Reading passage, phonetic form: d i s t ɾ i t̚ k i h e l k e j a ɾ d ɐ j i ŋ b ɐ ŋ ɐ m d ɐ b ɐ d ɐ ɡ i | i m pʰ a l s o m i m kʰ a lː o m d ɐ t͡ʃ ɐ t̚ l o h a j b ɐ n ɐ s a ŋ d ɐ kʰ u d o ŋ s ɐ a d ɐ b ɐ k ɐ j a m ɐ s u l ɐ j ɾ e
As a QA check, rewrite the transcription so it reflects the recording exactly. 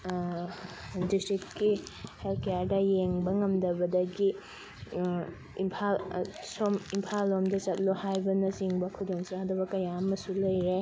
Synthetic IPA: d i s t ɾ i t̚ k i h e l k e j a ɾ d ɐ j e ŋ b ɐ ŋ ɐ m d ɐ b ɐ d ɐ ɡ i | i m pʰ a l s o m i m pʰ a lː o m d ɐ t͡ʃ ɐ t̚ l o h a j b ɐ n ɐ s i ŋ b ɐ kʰ u d o ŋ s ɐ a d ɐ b ɐ k ɐ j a m ɐ s u l ɐ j ɾ e